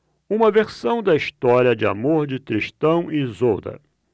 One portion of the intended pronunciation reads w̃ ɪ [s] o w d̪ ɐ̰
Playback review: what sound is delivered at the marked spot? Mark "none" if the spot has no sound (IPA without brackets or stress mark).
z